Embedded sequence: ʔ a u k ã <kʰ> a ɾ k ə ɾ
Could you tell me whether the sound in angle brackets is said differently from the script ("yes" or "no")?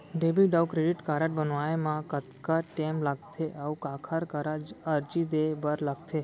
no